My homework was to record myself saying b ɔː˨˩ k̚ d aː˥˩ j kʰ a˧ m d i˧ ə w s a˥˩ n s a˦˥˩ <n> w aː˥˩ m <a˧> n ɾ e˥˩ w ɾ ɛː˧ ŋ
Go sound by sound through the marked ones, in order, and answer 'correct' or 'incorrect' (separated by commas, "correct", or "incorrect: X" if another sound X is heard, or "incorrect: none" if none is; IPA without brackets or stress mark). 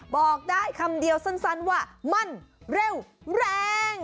correct, incorrect: a˧˥˩